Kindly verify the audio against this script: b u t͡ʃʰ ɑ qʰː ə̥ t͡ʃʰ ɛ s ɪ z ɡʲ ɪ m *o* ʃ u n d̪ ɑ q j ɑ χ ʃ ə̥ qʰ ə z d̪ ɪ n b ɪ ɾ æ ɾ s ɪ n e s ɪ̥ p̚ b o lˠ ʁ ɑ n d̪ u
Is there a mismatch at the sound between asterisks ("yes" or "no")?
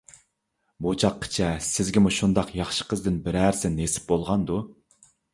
yes